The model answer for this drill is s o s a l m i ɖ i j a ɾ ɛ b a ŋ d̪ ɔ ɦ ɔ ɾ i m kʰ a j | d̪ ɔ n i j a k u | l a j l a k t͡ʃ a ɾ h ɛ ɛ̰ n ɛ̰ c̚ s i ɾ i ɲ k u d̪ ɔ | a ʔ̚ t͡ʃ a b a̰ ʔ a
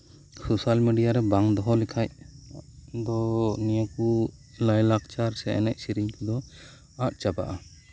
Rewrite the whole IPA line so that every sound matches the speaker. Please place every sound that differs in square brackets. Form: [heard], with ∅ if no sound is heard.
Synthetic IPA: s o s a l m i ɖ i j a ɾ ɛ b a ŋ d̪ ɔ ɦ ɔ [l] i [∅] kʰ a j | d̪ ɔ n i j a k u | l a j l a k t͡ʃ a ɾ [s] ɛ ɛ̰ n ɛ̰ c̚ s i ɾ i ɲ k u d̪ ɔ | a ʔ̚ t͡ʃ a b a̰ ʔ a